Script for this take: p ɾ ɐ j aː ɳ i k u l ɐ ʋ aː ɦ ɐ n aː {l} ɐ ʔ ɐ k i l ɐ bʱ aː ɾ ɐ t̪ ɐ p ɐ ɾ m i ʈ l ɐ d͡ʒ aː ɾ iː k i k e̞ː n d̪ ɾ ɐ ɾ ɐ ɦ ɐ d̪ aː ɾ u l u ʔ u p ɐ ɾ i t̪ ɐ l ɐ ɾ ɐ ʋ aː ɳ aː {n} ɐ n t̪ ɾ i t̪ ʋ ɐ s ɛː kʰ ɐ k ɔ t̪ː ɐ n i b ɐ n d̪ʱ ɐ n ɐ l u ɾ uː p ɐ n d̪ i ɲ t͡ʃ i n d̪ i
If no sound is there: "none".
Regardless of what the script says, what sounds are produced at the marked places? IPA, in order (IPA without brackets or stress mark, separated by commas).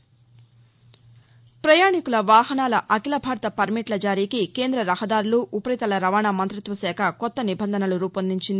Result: l, m